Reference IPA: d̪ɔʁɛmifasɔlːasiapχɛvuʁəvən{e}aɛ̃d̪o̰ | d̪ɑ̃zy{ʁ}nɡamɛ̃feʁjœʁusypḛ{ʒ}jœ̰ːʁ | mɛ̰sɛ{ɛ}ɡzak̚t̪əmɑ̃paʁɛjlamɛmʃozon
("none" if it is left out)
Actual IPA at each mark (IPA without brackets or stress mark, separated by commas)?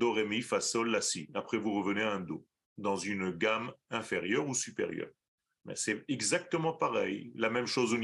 e, none, ʁ, ɛ